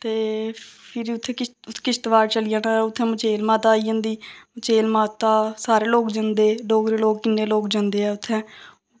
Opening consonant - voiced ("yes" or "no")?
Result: no